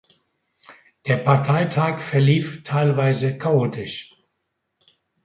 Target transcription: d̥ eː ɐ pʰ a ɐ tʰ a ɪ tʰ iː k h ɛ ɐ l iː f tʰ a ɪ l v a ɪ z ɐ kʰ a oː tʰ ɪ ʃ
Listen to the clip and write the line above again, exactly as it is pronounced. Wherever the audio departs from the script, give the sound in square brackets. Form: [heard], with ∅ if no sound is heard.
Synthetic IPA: d̥ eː ɐ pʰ a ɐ tʰ a ɪ tʰ [aː] k [f] ɛ ɐ l iː f tʰ a ɪ l v a ɪ z [ə] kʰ a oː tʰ ɪ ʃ